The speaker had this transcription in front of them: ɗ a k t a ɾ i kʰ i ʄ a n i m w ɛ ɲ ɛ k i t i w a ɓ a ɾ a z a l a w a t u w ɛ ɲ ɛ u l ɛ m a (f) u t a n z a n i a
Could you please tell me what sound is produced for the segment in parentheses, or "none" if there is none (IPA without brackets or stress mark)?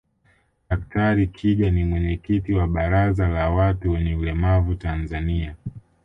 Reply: v